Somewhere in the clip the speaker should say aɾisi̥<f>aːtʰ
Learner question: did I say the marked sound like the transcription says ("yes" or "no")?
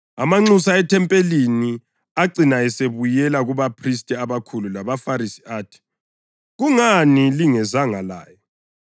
no